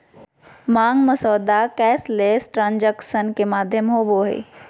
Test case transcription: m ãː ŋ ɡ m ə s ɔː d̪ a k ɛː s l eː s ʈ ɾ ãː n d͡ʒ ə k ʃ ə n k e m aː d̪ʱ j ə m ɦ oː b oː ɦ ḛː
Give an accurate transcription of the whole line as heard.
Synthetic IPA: m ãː ŋ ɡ m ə s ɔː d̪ a k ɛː s l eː s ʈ ɾ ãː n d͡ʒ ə k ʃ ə n k e m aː d̪ʱ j ə m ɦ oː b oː ɦ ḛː